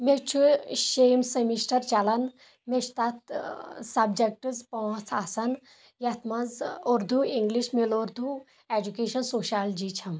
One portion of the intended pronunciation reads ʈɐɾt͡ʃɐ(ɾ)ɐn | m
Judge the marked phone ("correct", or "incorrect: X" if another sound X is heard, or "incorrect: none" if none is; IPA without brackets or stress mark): incorrect: l